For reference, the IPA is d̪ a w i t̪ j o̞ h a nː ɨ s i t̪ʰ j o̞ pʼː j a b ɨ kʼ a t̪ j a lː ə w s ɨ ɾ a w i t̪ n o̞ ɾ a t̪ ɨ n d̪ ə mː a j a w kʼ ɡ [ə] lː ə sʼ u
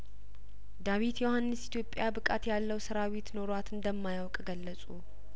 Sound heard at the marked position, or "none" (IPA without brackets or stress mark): ə